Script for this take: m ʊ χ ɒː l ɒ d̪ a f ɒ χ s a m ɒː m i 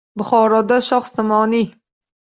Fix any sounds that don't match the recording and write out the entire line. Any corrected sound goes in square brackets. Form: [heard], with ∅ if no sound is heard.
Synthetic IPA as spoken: [b] ʊ χ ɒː [ɾ] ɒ d̪ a [ʃ] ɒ χ s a m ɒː [n] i